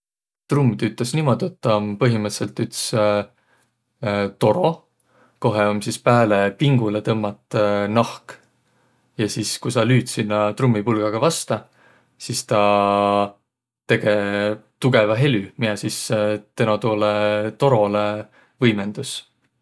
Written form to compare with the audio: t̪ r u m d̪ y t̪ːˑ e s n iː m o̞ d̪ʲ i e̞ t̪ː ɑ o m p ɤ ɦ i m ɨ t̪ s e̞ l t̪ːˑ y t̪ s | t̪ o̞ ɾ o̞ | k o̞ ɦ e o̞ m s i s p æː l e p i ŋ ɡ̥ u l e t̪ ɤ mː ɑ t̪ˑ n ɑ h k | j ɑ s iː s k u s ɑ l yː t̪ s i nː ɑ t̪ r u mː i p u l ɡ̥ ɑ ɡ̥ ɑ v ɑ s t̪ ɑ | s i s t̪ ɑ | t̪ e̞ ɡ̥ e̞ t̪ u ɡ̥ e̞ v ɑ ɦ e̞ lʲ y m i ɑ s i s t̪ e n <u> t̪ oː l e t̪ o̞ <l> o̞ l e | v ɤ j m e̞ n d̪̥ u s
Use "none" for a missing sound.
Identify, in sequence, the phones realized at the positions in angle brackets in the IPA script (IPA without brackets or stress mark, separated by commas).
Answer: o, ɾ